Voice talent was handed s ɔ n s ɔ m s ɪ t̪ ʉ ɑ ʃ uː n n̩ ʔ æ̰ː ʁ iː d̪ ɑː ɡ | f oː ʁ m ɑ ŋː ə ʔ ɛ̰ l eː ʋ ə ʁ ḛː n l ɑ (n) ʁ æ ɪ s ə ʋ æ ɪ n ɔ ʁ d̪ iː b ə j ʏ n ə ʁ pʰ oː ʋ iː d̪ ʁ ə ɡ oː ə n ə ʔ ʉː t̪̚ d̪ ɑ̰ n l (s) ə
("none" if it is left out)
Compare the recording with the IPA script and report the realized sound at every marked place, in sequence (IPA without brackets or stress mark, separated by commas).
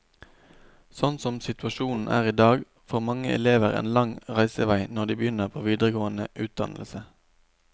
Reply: ŋ, s